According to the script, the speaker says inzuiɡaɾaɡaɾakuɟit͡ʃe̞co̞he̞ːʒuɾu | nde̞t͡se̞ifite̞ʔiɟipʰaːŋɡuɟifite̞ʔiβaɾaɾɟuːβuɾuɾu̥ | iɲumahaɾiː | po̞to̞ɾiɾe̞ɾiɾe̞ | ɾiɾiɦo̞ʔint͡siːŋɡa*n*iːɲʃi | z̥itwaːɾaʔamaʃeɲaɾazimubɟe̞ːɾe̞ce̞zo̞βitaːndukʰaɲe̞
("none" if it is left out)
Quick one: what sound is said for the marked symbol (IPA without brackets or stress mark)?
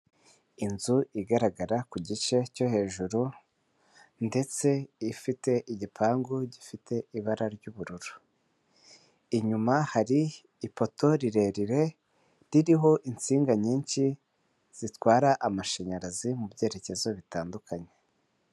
ɲ